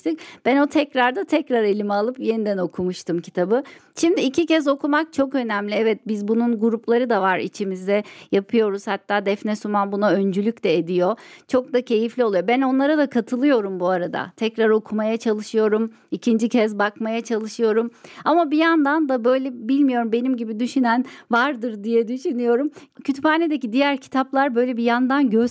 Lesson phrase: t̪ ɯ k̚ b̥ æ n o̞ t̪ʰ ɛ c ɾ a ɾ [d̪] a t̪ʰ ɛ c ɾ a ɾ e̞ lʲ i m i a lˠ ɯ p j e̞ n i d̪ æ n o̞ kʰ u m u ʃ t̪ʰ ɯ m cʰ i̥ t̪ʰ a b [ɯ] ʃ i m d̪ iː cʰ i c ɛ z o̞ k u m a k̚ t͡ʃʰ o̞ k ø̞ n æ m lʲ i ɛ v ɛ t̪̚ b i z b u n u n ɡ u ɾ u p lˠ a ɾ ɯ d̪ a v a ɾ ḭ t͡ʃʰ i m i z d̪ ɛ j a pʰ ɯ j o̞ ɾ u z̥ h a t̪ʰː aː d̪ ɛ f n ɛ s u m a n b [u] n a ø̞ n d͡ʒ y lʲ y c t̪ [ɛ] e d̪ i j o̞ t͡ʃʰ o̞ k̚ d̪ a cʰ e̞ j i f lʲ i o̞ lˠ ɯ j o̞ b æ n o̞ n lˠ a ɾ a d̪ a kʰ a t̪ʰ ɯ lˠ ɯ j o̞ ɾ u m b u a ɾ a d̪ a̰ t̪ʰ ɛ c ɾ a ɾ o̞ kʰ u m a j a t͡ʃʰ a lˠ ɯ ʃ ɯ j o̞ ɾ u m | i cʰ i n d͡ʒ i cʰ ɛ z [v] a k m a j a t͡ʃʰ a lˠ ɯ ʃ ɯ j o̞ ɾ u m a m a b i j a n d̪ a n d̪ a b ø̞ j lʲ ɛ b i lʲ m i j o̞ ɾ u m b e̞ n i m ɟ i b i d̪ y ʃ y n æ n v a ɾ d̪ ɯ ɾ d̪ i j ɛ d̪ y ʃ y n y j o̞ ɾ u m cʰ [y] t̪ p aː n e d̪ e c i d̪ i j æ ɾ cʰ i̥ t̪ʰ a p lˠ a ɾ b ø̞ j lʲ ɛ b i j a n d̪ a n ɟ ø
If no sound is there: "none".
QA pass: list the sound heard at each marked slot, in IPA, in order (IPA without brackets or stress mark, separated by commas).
d̪, ɯ, u, ɛ, b, y